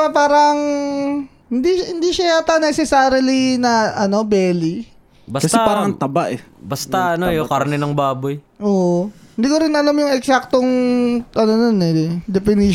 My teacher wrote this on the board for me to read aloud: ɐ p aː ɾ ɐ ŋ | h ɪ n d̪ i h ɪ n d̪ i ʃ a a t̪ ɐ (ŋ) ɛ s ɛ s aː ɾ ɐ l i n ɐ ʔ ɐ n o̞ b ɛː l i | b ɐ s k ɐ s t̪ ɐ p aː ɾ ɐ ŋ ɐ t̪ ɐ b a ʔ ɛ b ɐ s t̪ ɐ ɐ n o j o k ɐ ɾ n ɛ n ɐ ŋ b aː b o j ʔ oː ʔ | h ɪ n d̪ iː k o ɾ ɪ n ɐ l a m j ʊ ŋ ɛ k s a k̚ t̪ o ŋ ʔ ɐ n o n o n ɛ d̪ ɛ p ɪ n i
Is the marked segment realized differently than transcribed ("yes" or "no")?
yes